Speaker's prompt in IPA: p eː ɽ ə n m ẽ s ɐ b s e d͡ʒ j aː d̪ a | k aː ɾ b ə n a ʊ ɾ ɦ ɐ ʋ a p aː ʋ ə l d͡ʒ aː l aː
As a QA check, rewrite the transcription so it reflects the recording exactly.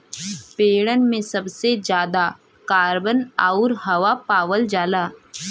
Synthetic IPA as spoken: p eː ɽ ə n m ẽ s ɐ b s e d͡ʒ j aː d̪ a | k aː ɾ b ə n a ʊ ɾ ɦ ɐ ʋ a p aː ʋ ə l d͡ʒ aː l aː